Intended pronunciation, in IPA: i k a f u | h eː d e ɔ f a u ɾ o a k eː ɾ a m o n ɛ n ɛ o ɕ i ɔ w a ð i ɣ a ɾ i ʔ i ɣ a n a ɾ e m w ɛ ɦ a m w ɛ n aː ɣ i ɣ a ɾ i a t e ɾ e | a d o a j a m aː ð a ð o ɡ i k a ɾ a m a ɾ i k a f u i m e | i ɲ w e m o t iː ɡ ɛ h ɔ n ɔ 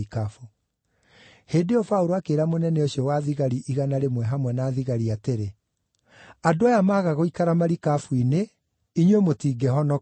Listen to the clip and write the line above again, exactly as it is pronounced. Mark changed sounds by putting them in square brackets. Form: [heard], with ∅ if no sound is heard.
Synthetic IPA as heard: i k a f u | h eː d e ɔ f a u ɾ o a k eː ɾ a m o n ɛ n ɛ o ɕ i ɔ w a ð i ɣ a ɾ i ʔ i ɣ a n a ɾ e m w ɛ ɦ a m w ɛ n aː [ð] i ɣ a ɾ i a t e ɾ e | a d o a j a m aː [ɣ] a [ɣ] o [∅] i k a ɾ a m a ɾ i k a f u i [n] e | i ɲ w e m o t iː ɡ ɛ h ɔ n ɔ